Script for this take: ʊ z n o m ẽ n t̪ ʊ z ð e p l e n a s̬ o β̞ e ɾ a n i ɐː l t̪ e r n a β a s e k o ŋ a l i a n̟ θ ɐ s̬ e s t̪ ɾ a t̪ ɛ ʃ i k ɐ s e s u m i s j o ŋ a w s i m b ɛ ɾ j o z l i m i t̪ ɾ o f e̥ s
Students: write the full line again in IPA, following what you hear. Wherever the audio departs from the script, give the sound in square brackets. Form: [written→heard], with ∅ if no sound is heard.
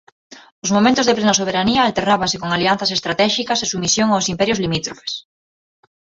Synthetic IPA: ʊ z [n→m] o m ẽ n t̪ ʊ z ð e p l e n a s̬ o β̞ e ɾ a n i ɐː l t̪ e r n a β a s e k o ŋ a l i a n̟ θ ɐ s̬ e s t̪ ɾ a t̪ ɛ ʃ i k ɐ s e s u m i s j o ŋ a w s i m [b→p] ɛ ɾ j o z l i m i t̪ ɾ o f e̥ s